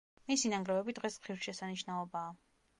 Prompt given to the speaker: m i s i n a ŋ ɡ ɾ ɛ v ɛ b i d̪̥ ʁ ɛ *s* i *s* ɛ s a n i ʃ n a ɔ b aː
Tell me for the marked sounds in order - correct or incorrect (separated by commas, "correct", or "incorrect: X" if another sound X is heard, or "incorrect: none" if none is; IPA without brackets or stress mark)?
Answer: correct, incorrect: ʃ